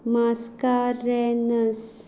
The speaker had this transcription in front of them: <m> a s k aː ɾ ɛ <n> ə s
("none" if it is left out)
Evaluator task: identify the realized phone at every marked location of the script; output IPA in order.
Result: m, n

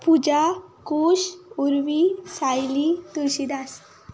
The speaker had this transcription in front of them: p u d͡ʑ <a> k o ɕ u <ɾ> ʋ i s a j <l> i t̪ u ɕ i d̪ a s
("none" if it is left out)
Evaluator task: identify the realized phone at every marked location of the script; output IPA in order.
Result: a, ɾ, l

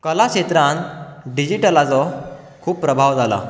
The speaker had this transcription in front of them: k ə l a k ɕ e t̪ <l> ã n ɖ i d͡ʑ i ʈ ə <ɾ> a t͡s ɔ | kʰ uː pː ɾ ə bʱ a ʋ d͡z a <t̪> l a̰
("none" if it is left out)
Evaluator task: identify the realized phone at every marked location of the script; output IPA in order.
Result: ɾ, l, none

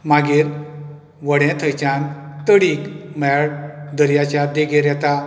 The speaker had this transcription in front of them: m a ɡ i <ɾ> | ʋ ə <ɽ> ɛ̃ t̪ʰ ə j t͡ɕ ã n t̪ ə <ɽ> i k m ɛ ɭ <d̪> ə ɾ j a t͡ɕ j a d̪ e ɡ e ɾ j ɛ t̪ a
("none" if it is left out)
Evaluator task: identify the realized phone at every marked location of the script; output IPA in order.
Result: ɾ, ɽ, ɽ, d̪

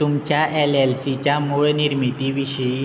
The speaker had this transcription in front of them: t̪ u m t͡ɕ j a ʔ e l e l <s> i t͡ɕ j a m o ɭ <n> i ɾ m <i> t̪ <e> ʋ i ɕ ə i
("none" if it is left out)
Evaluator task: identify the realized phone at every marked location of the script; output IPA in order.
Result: s, n, i, i

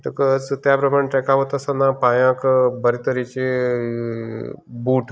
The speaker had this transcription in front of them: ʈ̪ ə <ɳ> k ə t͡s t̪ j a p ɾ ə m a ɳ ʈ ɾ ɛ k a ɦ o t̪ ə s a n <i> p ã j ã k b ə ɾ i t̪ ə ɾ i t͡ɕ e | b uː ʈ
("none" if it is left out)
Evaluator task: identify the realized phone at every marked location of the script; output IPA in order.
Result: none, a

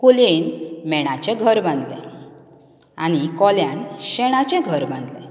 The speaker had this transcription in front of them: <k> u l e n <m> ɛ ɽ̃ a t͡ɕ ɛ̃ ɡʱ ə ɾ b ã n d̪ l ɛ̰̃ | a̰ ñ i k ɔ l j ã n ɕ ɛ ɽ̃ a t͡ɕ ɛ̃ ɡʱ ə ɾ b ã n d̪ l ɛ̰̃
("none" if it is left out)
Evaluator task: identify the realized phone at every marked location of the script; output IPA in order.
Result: k, m

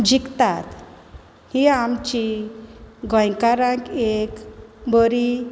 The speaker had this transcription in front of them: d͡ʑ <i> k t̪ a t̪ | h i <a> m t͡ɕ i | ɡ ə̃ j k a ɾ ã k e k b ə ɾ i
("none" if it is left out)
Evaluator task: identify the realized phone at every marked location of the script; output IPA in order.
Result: i, a

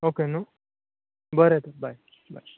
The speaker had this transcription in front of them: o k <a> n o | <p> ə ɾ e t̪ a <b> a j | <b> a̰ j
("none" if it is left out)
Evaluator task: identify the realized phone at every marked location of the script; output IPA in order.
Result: e, b, b, b

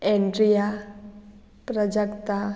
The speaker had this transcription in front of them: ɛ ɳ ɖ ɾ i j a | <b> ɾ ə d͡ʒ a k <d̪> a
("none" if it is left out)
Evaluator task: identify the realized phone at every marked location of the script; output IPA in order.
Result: p, t̪

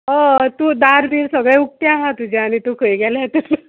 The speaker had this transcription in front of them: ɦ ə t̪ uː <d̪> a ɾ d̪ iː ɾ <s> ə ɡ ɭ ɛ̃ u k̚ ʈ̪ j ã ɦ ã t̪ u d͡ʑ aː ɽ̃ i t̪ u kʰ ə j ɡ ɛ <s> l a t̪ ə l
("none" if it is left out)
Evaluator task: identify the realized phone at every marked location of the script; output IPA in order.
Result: d̪, s, none

